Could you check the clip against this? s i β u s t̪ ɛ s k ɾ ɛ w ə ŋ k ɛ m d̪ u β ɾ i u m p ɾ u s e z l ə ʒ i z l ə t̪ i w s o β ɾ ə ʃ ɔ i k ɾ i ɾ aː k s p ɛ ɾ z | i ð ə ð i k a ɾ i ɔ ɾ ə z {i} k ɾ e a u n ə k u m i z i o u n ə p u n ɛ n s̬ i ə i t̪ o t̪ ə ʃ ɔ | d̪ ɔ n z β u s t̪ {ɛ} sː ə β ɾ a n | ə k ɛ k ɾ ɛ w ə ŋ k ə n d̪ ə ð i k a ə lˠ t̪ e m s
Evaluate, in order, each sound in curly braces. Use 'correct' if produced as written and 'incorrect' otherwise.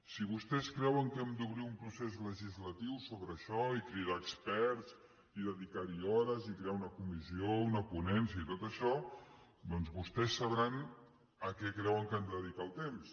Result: correct, correct

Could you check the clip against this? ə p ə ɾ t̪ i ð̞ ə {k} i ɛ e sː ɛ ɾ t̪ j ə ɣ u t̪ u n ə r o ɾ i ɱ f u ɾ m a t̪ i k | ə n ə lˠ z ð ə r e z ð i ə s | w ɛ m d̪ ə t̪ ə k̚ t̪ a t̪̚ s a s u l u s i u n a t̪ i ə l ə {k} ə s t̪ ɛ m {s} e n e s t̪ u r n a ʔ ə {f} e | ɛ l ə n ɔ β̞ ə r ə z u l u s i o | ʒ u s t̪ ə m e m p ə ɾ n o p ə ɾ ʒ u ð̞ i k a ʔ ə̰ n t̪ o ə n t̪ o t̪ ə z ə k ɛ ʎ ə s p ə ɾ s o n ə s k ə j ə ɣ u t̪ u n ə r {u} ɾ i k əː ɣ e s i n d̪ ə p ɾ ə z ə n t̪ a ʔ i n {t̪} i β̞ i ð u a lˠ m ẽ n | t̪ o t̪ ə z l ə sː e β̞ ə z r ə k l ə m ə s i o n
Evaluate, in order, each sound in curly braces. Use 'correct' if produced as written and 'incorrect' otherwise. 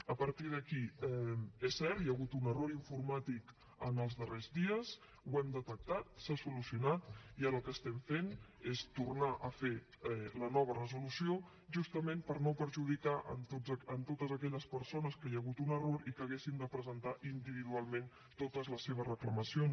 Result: correct, correct, incorrect, correct, incorrect, incorrect

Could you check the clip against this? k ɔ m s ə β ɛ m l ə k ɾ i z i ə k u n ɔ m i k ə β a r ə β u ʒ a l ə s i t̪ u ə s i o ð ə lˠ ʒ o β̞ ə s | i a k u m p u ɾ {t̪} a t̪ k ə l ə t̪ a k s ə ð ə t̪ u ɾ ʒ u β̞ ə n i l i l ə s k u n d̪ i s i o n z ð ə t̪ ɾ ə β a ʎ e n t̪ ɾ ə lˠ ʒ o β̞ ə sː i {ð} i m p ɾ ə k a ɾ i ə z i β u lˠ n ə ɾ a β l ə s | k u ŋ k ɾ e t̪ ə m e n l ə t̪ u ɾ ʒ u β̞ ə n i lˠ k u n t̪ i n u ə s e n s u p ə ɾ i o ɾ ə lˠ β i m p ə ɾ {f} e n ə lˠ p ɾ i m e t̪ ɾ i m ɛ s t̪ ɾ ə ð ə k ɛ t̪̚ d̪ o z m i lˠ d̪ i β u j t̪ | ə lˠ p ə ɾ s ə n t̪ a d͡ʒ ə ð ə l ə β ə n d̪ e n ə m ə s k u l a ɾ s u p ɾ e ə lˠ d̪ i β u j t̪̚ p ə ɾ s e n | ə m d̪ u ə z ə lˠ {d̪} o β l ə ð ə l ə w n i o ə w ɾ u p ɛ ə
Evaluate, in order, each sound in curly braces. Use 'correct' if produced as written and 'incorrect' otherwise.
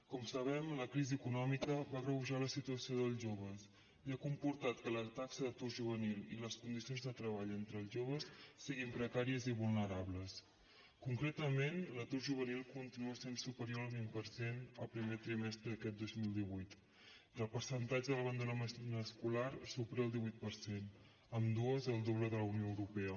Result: correct, incorrect, incorrect, correct

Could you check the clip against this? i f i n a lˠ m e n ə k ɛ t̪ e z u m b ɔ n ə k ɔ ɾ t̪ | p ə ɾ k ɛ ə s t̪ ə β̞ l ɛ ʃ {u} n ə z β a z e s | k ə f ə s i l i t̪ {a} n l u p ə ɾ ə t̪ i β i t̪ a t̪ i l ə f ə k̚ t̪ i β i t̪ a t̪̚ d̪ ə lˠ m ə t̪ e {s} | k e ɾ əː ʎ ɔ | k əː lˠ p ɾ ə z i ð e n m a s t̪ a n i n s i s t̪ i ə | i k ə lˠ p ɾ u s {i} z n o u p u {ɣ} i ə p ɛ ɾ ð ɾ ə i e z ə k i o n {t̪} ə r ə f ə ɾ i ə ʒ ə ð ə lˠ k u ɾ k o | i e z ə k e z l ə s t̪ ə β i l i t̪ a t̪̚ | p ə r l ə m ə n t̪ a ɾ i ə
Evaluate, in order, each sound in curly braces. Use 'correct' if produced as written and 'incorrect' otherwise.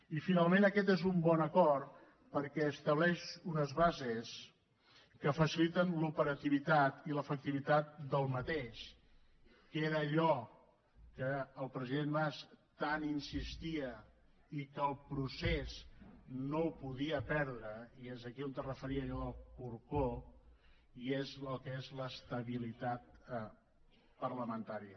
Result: correct, incorrect, incorrect, incorrect, incorrect, correct

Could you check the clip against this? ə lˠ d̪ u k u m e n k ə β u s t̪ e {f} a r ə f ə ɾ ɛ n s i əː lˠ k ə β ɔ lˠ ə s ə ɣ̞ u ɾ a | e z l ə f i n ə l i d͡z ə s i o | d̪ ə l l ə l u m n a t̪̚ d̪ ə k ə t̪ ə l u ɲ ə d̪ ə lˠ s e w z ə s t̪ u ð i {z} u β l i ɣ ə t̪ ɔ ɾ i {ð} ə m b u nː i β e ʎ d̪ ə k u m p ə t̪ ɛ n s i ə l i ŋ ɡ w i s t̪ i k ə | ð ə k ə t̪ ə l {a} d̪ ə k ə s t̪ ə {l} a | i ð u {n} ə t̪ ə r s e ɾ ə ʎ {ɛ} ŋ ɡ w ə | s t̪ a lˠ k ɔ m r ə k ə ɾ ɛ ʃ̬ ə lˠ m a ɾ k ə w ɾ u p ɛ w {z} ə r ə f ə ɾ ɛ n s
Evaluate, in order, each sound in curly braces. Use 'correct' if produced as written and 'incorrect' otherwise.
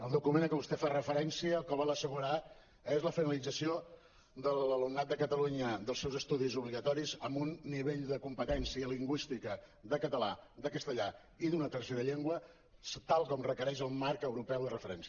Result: correct, correct, incorrect, correct, incorrect, correct, incorrect, incorrect

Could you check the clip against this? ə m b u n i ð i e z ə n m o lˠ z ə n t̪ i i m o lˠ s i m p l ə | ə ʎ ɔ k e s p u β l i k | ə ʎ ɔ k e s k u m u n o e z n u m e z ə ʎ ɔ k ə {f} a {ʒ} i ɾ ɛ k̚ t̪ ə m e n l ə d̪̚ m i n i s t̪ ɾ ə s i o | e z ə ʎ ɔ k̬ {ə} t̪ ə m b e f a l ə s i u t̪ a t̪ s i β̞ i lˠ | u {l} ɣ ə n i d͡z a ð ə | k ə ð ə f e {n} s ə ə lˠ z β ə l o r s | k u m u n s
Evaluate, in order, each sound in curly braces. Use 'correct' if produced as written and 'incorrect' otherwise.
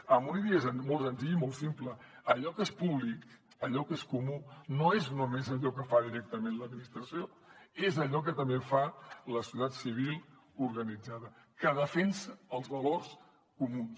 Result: correct, incorrect, correct, incorrect, correct

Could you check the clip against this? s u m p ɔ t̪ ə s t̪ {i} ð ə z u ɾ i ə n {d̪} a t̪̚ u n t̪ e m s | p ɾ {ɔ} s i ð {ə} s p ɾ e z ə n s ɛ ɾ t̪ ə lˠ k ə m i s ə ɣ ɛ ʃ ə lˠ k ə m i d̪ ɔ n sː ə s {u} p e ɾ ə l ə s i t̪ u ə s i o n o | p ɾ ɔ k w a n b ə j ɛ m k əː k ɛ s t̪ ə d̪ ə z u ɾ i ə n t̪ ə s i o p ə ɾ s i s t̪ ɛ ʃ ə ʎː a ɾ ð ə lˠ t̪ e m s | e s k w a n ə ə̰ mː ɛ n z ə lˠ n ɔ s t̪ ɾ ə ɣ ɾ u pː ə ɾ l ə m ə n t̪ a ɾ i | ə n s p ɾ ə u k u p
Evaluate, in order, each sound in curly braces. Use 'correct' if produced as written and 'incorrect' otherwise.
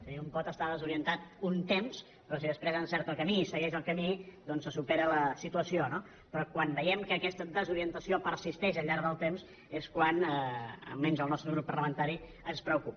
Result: incorrect, incorrect, correct, correct, correct

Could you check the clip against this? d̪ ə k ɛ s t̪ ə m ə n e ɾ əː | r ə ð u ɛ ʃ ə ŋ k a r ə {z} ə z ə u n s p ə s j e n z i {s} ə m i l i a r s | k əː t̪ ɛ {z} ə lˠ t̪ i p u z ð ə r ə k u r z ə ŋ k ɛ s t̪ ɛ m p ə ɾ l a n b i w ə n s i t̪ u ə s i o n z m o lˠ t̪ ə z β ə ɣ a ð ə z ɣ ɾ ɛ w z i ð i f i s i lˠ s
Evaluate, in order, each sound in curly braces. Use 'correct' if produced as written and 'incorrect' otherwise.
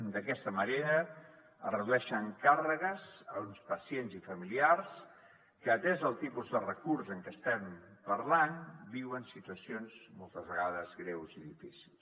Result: incorrect, incorrect, correct

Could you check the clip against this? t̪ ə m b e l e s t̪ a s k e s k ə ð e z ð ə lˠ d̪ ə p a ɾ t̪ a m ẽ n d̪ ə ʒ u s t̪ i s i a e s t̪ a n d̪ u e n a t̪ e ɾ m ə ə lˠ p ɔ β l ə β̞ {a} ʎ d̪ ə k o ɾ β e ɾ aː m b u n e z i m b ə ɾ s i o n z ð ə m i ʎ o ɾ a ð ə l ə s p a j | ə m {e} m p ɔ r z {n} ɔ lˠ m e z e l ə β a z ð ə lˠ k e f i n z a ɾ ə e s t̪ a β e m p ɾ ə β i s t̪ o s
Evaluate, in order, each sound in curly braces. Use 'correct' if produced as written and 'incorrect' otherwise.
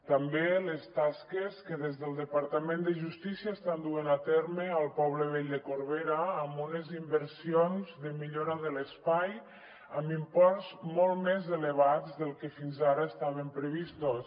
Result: incorrect, incorrect, incorrect

